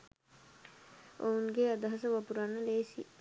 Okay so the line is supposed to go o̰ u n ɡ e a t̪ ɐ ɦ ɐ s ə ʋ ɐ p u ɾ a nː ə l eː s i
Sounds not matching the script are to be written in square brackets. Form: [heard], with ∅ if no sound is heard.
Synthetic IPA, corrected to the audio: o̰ u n ɡ e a [d̪] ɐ ɦ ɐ s ə ʋ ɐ p u ɾ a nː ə l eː s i